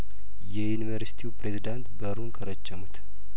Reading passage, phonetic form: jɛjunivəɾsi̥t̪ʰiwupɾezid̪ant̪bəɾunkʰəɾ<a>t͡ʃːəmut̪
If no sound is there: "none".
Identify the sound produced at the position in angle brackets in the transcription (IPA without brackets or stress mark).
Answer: ə